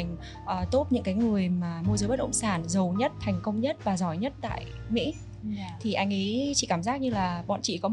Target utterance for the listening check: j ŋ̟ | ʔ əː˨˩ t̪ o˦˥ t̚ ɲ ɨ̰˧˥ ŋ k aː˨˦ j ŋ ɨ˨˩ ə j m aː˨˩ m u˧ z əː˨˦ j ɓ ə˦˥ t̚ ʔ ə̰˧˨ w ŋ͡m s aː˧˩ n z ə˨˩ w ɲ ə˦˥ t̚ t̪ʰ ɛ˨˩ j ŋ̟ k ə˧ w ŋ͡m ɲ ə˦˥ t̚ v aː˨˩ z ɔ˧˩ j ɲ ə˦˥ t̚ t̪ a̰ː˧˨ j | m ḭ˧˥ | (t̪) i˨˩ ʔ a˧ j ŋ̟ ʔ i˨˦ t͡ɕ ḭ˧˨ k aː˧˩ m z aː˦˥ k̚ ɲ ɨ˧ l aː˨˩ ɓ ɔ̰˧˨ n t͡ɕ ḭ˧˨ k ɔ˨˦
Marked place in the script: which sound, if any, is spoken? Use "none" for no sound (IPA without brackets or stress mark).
t̪ʰ